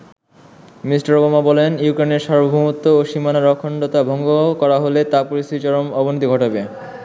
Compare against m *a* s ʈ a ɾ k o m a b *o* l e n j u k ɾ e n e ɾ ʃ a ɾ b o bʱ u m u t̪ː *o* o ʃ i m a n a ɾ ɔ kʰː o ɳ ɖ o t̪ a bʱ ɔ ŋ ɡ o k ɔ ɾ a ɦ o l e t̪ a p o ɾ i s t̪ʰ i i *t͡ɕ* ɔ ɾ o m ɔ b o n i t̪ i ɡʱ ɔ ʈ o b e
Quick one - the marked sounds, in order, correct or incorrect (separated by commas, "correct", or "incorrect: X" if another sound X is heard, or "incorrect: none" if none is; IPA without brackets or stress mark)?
incorrect: i, incorrect: ɔ, correct, correct